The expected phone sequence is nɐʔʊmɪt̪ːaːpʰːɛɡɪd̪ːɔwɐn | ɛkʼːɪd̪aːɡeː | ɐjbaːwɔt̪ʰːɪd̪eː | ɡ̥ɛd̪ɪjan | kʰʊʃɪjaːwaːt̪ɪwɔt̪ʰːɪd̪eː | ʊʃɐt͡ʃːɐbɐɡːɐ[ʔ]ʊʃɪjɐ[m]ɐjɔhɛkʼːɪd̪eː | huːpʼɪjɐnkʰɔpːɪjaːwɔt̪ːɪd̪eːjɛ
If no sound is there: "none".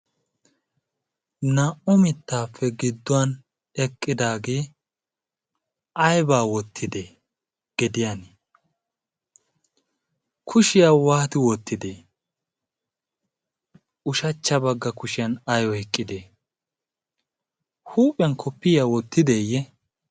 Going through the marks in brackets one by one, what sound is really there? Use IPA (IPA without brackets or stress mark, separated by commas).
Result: k, n